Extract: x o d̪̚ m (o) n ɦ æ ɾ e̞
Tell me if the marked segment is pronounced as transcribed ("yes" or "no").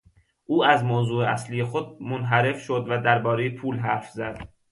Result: yes